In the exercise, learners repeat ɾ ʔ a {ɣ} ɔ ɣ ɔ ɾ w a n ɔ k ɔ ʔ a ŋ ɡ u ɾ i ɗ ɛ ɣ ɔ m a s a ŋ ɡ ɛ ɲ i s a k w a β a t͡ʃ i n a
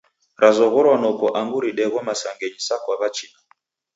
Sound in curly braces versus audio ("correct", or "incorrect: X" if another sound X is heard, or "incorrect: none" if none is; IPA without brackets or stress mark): incorrect: z